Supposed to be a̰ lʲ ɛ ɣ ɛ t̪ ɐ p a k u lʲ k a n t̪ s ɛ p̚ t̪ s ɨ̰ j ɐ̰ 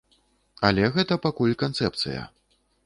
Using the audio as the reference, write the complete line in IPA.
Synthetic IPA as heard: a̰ lʲ ɛ ɣ ɛ t̪ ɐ p a k u lʲ k a n t̪ s ɛ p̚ t̪ s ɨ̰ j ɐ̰